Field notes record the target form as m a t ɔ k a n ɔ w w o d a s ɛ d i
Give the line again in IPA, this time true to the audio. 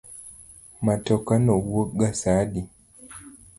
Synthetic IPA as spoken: m a t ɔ k a n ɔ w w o ɡ a s a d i